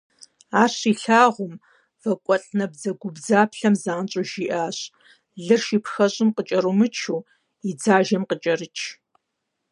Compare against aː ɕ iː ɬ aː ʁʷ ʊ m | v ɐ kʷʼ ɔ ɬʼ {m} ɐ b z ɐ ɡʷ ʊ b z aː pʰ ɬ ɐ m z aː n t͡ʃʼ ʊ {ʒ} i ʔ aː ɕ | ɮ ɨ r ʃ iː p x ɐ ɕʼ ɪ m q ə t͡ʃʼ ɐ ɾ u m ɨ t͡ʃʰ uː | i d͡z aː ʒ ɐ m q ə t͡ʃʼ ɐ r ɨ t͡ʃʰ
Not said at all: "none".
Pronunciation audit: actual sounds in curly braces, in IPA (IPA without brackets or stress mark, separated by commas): n, ʒ